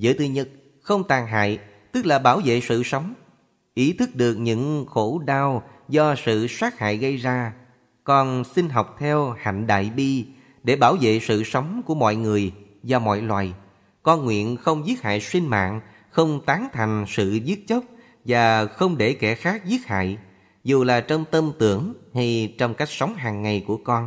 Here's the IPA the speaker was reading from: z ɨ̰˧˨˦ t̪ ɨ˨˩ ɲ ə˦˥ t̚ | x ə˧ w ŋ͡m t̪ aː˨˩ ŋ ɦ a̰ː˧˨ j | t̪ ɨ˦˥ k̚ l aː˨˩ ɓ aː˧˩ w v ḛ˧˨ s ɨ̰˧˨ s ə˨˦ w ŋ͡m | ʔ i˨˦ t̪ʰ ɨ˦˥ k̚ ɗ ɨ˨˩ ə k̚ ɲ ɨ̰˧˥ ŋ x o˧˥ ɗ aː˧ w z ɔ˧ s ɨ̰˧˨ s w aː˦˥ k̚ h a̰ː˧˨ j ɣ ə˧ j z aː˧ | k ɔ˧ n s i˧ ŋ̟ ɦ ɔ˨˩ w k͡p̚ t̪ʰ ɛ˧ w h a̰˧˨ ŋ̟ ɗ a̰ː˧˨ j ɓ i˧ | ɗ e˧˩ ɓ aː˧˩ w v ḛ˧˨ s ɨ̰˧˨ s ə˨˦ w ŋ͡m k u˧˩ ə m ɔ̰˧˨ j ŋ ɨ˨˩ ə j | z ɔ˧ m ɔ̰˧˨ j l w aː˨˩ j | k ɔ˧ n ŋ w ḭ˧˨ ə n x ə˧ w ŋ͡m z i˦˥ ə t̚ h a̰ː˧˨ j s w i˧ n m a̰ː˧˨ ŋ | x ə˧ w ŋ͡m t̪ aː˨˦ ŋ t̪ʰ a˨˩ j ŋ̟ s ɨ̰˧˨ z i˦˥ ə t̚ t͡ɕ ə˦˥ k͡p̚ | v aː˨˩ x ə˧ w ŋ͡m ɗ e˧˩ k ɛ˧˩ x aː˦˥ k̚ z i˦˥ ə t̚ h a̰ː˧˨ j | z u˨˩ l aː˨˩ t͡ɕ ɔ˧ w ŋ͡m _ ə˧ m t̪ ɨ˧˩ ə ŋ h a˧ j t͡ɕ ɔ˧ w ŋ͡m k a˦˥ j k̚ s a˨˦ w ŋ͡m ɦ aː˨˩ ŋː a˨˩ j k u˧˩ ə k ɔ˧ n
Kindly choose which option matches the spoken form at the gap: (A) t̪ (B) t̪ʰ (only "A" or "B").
A